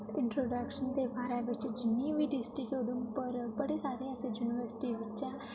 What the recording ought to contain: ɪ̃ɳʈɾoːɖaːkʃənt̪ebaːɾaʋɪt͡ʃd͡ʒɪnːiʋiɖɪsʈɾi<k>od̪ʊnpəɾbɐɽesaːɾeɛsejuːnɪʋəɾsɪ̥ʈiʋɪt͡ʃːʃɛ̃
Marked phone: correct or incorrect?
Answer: correct